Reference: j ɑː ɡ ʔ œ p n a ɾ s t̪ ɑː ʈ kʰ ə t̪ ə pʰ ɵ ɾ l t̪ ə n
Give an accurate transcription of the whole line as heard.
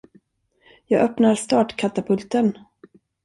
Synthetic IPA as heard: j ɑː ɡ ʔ œ p n a ɾ s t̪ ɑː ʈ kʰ a t̪ a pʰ ɵ l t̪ ə n